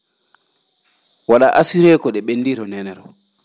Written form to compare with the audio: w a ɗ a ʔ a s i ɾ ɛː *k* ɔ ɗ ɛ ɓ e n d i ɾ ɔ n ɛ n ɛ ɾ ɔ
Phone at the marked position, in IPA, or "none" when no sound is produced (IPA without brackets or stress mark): k